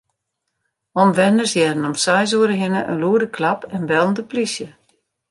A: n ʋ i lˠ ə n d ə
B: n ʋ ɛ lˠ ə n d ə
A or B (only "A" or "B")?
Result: B